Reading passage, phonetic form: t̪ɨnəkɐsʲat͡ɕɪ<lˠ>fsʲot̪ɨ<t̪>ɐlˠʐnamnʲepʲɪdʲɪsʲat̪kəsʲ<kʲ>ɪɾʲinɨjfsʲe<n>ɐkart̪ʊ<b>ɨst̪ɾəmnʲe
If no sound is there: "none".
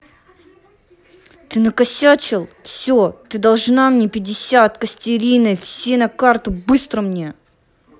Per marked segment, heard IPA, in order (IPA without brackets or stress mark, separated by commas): lˠ, d̪, tʲ, n, b